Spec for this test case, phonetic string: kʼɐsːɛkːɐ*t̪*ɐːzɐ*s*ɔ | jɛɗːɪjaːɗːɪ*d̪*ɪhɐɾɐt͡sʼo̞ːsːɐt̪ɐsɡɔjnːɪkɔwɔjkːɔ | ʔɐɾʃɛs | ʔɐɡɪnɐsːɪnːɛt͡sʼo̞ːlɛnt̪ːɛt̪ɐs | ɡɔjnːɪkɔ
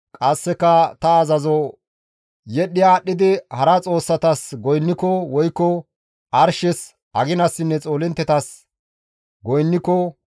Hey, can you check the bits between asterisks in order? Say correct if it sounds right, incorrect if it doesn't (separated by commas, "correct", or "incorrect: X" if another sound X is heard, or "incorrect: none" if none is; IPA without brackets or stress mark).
correct, incorrect: z, correct